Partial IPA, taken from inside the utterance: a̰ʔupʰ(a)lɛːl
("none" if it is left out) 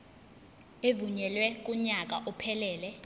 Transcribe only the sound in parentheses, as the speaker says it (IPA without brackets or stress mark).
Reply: ɛ